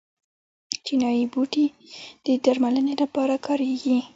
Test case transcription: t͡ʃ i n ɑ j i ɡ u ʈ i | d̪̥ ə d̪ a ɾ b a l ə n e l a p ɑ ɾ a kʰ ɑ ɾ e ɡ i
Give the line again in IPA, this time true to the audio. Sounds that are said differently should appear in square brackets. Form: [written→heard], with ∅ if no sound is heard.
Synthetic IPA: t͡ʃ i n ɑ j i [ɡ→b] u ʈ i | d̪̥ ə d̪ a ɾ [b→m] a l ə n e l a p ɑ ɾ a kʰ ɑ ɾ e ɡ i